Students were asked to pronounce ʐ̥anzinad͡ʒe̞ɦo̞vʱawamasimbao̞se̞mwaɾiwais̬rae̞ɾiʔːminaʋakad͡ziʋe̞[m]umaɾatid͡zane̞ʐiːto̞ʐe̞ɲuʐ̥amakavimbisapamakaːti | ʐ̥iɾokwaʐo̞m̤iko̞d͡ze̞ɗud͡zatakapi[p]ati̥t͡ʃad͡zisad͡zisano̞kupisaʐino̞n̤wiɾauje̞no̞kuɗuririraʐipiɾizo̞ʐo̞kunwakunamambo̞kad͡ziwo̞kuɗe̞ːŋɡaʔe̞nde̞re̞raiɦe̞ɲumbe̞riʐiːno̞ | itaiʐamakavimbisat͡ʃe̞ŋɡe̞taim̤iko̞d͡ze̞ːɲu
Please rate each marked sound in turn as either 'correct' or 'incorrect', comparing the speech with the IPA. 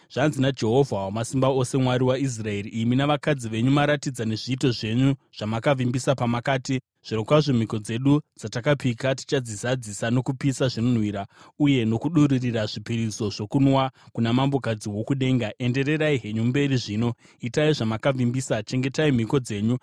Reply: incorrect: ɲ, incorrect: k

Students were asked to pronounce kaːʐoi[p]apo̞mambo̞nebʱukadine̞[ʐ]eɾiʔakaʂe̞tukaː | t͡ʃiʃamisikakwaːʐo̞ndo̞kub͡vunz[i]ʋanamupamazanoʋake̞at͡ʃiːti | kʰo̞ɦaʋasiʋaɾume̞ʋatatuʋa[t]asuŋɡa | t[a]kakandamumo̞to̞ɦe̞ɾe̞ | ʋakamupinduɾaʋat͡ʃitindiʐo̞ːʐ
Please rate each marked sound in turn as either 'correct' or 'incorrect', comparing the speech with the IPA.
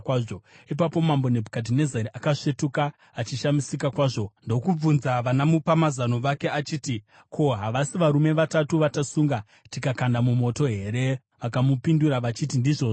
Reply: correct, incorrect: z, incorrect: a, correct, incorrect: i

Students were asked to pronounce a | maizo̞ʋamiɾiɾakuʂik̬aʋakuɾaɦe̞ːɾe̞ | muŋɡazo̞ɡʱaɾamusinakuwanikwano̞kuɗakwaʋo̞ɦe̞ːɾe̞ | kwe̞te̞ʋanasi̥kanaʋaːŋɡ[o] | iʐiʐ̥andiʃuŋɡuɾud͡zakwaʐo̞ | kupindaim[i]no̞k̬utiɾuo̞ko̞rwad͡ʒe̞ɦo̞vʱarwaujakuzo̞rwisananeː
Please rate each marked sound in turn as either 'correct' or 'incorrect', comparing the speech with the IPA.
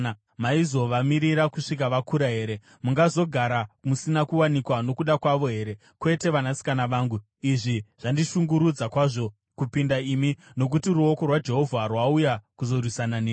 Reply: incorrect: u, correct

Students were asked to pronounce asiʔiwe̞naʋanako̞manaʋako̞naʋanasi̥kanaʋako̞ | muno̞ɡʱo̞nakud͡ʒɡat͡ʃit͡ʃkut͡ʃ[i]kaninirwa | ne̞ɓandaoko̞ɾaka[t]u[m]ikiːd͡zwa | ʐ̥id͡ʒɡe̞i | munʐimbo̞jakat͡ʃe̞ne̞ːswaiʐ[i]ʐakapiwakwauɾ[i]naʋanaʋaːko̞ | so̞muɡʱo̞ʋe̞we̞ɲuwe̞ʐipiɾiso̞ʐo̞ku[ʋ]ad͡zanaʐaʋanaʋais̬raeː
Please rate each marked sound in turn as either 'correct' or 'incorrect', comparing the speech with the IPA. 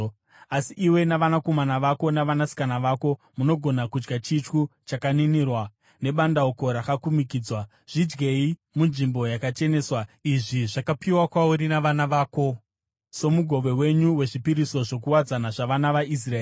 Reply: incorrect: a, incorrect: k, correct, correct, correct, incorrect: w

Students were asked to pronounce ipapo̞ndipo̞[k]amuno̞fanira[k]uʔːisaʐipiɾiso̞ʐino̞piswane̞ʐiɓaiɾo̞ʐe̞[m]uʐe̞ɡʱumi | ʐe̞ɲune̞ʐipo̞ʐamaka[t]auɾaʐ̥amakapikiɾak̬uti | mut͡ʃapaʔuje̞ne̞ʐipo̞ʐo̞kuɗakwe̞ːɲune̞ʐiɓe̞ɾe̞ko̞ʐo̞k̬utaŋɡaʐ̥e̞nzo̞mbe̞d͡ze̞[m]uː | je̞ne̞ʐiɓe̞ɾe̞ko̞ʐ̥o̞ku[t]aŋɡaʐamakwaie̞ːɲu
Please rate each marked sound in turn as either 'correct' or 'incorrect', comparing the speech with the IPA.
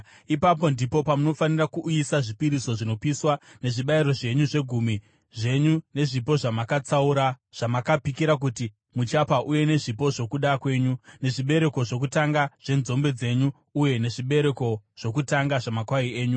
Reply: incorrect: p, correct, incorrect: ɲ, incorrect: t͡s, incorrect: ɲ, correct

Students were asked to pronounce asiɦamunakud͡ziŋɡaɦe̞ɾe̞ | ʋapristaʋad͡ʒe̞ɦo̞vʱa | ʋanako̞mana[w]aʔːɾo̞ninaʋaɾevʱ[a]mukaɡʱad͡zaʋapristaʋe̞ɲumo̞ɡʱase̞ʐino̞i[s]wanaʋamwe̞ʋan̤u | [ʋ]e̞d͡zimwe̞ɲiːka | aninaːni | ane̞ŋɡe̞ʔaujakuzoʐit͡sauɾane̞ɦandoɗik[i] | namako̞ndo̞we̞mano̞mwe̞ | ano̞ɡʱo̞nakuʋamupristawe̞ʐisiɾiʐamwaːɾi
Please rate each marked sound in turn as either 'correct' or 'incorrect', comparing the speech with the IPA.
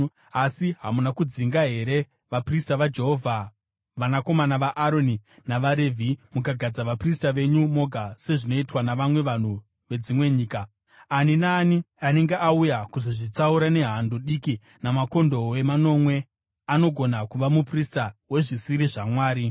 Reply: incorrect: ʋ, incorrect: i, incorrect: t, correct, correct

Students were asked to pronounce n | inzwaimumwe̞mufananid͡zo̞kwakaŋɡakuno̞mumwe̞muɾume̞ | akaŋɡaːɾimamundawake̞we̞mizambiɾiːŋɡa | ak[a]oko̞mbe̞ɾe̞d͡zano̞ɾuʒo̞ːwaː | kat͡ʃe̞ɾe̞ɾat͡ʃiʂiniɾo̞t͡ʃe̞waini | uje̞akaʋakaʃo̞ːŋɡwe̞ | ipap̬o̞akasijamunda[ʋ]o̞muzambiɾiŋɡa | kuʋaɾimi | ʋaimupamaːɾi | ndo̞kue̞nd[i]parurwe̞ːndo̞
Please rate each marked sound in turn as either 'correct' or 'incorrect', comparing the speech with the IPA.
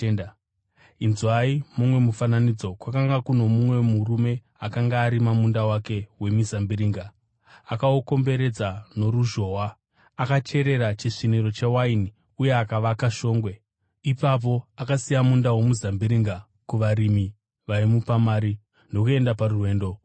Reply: correct, incorrect: w, incorrect: a

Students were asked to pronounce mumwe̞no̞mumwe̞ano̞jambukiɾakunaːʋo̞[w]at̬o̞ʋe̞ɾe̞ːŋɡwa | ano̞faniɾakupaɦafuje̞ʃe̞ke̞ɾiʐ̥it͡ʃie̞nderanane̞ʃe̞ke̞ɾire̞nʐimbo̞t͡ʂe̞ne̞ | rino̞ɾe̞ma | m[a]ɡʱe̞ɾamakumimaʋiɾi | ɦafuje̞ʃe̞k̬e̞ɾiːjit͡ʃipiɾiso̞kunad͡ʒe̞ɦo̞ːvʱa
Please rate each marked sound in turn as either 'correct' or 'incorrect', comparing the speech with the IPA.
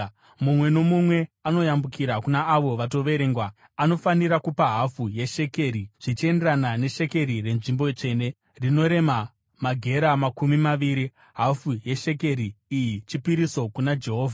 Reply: incorrect: ʋ, correct

